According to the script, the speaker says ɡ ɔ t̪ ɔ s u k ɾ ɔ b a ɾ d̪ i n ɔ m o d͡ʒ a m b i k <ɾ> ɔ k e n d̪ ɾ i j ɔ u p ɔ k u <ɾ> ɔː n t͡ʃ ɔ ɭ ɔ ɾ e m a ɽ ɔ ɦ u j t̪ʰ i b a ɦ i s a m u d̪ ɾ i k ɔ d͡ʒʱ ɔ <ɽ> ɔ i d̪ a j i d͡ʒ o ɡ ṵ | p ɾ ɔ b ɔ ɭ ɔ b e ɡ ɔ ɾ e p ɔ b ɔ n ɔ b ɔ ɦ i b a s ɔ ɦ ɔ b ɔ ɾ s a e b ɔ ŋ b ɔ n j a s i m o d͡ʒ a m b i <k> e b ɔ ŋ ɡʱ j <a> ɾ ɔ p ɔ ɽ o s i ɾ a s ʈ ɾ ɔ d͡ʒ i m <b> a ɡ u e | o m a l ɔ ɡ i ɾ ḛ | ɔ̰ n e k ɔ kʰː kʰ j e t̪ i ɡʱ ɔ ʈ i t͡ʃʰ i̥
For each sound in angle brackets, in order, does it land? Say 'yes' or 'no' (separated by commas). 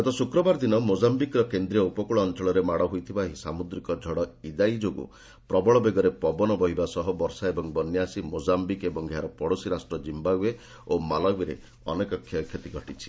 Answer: yes, no, yes, yes, yes, yes